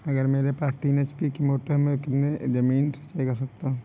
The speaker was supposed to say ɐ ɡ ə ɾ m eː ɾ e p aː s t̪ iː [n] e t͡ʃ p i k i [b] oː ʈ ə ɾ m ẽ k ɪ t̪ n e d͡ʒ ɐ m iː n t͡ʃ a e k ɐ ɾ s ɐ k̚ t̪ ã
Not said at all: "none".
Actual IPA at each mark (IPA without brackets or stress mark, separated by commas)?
n, m